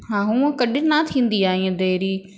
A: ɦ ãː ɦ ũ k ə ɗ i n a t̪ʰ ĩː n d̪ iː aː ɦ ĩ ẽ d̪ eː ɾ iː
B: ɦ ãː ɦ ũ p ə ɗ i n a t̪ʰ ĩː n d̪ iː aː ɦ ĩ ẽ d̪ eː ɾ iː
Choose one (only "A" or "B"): A